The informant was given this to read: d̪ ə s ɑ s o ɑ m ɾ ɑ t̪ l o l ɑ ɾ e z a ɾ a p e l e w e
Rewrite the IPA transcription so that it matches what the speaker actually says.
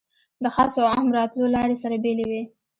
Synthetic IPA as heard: d̪ ə x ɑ s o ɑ m ɾ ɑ t̪ l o l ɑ ɾ e s a ɾ a b e l e w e